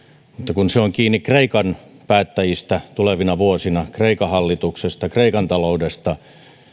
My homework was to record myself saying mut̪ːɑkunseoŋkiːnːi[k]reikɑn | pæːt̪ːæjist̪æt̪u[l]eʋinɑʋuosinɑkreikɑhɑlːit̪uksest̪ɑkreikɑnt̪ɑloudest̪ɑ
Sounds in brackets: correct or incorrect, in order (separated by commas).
correct, correct